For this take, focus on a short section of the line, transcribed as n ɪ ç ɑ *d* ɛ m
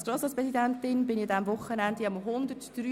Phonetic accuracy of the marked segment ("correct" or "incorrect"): correct